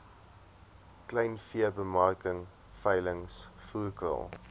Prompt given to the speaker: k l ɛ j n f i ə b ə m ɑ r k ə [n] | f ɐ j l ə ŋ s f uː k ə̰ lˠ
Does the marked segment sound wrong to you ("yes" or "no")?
yes